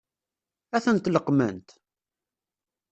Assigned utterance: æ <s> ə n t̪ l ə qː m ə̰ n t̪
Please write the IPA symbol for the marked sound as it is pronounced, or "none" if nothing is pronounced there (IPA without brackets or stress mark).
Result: θ